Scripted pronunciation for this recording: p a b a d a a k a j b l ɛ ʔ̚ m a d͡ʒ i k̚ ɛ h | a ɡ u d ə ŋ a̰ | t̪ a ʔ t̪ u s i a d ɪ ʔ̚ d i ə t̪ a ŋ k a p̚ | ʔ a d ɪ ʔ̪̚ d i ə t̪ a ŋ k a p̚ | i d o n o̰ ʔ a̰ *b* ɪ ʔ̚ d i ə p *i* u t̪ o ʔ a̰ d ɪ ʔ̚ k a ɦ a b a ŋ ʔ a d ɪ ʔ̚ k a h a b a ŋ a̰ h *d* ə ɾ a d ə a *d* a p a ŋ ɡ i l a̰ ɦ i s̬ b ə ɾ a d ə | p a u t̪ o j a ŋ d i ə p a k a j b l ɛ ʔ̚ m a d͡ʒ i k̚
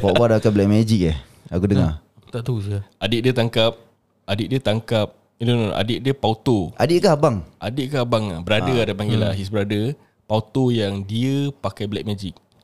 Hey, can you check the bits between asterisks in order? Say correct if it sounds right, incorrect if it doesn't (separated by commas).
incorrect, incorrect, incorrect, correct